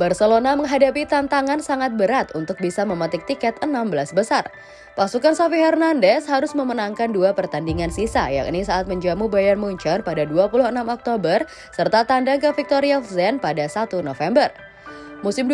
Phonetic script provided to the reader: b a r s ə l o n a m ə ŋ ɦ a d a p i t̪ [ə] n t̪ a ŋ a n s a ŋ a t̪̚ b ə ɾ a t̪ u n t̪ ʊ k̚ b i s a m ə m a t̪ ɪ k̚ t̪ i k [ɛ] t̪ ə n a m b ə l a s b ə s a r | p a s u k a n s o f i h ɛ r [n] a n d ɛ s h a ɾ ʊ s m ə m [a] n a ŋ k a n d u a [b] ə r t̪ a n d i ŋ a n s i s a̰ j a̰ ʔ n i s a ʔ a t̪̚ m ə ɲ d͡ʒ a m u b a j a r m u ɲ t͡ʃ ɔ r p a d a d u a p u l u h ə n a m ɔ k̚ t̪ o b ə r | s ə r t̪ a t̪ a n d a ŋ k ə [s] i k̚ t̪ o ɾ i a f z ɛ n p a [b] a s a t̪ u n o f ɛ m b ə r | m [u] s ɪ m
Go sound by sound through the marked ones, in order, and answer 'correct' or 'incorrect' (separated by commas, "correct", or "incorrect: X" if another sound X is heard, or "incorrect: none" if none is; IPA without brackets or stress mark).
incorrect: a, correct, correct, incorrect: ə, incorrect: p, incorrect: f, incorrect: d, correct